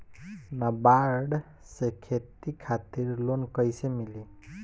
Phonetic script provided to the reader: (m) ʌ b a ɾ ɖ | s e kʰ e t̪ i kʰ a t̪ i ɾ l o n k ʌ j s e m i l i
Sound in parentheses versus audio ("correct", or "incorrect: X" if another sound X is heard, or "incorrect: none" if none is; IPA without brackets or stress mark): incorrect: n